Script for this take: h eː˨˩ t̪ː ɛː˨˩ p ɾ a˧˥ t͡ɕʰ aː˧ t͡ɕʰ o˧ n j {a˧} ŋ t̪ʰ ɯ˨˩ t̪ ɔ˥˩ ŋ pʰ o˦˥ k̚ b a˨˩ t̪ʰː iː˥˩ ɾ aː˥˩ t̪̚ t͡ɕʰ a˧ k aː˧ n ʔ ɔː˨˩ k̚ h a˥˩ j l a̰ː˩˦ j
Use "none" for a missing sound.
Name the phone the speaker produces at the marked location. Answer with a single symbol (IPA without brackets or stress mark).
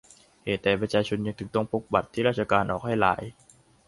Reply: a˧